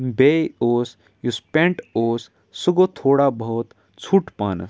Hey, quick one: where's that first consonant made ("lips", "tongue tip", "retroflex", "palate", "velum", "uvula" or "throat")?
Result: lips